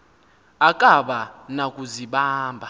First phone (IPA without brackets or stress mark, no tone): a